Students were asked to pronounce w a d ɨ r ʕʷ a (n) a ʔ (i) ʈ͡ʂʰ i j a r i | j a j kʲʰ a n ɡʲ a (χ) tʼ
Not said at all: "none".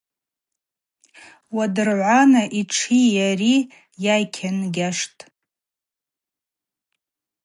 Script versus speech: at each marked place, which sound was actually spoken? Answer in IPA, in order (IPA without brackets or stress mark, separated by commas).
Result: n, i, ʂ